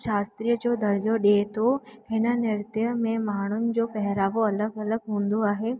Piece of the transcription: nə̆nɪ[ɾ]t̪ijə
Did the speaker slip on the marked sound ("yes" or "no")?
no